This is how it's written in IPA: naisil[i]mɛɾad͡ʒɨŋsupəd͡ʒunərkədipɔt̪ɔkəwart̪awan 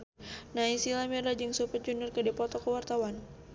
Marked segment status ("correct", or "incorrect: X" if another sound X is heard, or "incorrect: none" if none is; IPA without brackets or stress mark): incorrect: a